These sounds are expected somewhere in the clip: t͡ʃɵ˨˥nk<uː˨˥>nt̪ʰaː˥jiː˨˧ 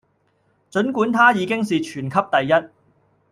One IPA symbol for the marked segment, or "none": uː˨˥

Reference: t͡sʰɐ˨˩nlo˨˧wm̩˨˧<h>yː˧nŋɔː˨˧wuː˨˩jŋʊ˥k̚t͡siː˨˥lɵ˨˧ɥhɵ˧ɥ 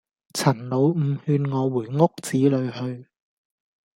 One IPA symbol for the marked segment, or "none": h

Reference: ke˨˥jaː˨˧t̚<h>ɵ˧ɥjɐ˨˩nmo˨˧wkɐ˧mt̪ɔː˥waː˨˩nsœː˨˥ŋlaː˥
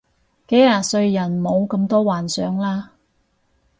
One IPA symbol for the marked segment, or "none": s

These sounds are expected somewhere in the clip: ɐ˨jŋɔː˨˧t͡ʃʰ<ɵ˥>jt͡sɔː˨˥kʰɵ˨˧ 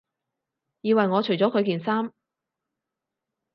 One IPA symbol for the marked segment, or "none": ɵ˨˩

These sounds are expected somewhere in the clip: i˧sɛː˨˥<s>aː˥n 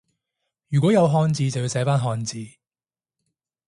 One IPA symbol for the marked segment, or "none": f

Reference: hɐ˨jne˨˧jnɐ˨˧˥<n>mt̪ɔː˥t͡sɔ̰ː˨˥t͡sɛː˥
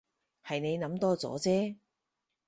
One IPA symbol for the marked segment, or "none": none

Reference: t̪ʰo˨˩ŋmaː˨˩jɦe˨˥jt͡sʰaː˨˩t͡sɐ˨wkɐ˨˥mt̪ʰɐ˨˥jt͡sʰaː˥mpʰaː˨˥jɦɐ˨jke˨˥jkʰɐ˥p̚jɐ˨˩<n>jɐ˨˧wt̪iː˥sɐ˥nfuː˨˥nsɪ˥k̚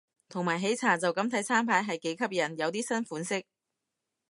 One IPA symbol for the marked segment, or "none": n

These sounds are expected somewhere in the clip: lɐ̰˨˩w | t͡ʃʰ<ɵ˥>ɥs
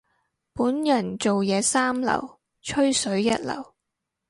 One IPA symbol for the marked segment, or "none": ɵ˥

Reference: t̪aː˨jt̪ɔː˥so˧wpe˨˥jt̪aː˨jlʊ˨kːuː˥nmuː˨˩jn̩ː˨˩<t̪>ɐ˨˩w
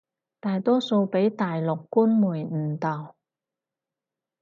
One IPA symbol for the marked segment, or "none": t̪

